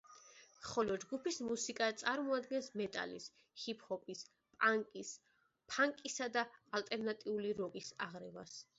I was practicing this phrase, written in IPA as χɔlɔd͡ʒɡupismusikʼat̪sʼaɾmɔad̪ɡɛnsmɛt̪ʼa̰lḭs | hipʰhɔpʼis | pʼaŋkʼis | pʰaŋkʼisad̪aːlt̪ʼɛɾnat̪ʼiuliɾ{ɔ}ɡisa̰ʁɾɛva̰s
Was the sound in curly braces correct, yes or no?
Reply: yes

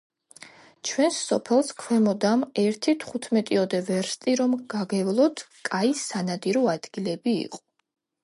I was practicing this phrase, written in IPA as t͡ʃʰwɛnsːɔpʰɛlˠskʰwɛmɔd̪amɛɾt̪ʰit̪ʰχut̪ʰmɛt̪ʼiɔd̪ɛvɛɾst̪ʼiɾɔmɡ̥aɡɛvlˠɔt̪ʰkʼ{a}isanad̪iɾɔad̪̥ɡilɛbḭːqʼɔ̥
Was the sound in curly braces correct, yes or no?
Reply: yes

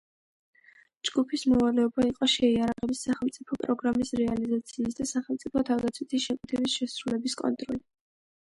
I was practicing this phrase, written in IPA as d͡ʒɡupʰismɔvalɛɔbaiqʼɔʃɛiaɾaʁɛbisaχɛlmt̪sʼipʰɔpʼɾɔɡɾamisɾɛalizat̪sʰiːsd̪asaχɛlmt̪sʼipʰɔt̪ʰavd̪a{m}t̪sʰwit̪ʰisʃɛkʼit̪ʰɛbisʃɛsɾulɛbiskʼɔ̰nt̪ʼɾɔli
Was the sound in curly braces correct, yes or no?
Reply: no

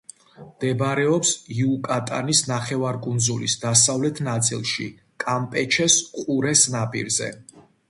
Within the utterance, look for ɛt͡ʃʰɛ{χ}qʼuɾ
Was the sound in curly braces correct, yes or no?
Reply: no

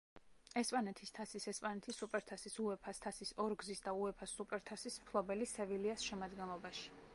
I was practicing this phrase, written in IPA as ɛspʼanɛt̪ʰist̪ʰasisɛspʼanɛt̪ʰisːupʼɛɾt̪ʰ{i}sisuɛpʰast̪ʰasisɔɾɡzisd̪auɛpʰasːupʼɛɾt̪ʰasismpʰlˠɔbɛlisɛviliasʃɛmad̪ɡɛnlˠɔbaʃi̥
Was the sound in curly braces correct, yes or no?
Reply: no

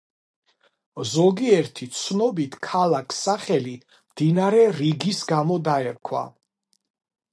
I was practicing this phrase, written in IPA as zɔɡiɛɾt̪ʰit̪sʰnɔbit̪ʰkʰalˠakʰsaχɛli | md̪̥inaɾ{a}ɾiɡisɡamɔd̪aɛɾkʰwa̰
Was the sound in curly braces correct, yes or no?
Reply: no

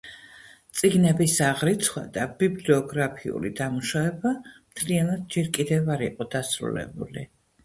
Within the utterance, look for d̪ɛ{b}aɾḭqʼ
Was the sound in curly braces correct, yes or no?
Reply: no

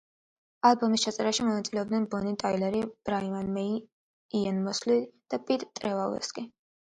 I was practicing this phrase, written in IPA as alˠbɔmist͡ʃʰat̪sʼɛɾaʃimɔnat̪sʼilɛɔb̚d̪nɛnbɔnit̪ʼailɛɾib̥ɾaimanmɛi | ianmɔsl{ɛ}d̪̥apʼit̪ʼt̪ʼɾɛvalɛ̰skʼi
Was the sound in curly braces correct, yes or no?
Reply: no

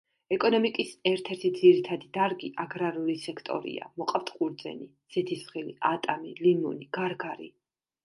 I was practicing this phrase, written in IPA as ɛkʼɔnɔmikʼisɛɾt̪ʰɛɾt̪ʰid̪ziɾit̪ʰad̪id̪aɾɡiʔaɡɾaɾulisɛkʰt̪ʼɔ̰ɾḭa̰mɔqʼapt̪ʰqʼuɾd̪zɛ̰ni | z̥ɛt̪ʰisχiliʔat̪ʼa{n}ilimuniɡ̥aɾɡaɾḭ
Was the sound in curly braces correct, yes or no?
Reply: no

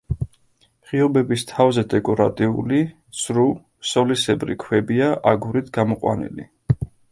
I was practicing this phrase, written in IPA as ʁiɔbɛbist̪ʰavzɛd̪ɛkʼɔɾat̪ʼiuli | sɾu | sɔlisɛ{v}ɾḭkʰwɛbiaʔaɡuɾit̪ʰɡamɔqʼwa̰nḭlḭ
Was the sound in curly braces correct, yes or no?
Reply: no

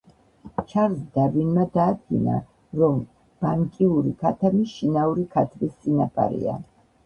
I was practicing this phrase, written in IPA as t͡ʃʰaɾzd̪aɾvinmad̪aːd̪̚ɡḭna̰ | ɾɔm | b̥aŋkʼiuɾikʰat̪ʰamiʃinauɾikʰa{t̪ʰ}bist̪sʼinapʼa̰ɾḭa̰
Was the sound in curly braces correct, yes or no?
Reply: yes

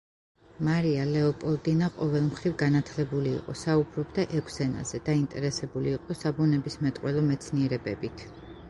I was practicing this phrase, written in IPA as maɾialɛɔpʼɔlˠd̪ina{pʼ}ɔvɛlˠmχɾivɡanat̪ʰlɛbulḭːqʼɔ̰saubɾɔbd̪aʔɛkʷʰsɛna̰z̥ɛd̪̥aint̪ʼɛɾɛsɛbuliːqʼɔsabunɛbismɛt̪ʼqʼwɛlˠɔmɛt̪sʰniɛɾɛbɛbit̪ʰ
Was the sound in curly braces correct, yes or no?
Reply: no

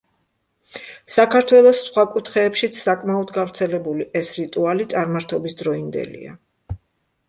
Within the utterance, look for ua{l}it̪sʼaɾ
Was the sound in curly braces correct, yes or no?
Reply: yes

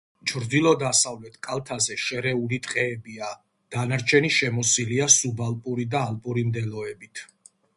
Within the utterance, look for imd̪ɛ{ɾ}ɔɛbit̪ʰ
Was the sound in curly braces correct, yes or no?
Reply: no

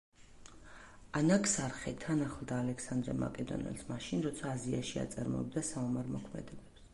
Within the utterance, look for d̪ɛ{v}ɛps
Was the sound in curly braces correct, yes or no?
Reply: no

